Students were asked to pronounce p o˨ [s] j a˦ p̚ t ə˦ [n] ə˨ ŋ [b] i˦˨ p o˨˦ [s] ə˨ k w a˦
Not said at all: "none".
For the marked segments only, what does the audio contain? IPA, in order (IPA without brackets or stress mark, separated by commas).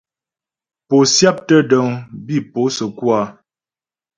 s, d, b, s